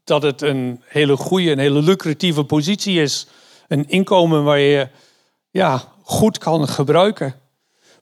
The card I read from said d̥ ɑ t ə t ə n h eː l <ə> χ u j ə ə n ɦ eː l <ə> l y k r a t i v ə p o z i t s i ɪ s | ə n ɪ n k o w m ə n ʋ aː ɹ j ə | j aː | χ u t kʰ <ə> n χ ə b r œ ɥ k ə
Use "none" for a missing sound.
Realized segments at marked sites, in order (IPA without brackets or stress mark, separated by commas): ə, ə, ɑ